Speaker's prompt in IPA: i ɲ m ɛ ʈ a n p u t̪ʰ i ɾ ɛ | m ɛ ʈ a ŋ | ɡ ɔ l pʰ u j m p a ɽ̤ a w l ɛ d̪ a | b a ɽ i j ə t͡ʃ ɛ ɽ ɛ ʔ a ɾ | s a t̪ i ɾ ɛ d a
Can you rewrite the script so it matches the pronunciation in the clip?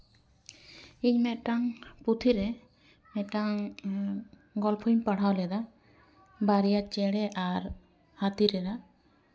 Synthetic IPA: i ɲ m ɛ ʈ a ŋ p u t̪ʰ i ɾ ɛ | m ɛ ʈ a ŋ | ɡ ɔ l pʰ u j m p a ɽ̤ a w l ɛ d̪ a | b a ɾ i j a t͡ʃ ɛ ɽ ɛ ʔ a ɾ | h a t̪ i ɾ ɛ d a